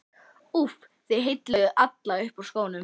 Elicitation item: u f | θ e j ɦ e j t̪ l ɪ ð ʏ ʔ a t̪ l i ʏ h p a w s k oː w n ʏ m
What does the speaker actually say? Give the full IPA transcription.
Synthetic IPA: u f | θ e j ɦ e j t̪ l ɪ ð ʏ ʔ a t̪ l a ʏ h p a w s k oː w n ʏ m

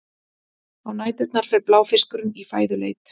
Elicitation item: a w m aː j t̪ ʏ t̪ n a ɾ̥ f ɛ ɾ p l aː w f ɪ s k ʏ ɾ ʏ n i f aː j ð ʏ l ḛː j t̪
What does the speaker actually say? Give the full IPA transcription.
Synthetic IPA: a w n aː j t̪ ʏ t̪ n a ɾ̥ f ɛ ɾ p l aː w f ɪ s k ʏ ɾ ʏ n i f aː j ð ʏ l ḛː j t̪

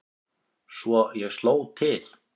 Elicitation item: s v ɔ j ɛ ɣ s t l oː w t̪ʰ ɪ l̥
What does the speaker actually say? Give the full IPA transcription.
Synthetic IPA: s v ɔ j ɛ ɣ s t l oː w t̪ʰ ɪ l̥

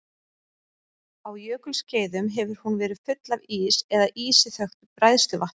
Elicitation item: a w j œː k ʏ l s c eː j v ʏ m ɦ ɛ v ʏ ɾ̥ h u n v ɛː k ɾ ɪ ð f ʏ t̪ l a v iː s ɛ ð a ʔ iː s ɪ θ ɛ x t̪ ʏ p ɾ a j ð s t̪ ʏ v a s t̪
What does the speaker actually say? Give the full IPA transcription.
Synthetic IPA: a w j œː k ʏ l s c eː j ð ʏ m ɦ ɛ v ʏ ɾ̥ h u n v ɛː ɾ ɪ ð f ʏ t̪ l a v iː s ɛ ð a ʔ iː s ɪ θ œ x t̪ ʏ p ɾ a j ð s t̪ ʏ v a h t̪

